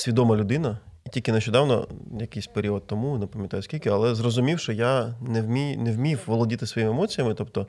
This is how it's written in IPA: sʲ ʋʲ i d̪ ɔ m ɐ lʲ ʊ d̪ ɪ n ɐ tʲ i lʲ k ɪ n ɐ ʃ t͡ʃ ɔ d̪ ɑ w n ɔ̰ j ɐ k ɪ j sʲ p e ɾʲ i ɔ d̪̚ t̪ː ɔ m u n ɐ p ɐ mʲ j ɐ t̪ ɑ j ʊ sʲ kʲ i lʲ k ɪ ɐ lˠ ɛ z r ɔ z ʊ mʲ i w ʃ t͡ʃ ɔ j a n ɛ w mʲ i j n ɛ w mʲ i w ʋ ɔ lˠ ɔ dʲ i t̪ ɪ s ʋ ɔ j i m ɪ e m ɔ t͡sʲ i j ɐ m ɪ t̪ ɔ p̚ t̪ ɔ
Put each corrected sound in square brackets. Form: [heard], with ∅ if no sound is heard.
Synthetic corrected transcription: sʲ ʋʲ i d̪ ɔ m ɐ lʲ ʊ d̪ ɪ n ɐ tʲ i lʲ k ɪ n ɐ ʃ t͡ʃ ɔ d̪ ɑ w n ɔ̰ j ɐ k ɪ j sʲ p e ɾʲ i ɔ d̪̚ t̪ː ɔ m u n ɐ p ɐ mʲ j ɐ t̪ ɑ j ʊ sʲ kʲ i lʲ k ɪ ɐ lˠ ɛ z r ɔ z ʊ mʲ i w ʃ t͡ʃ ɔ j a n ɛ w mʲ i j n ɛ w mʲ i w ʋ ɔ lˠ ɔ dʲ i t̪ ɪ s ʋ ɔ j i m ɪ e m ɔ t͡sʲ i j ɐ m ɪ t̪ ɔ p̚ t̪ ɔ